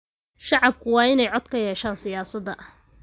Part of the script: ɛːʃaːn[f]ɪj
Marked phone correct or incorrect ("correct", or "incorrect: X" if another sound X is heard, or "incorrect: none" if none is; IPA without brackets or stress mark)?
incorrect: s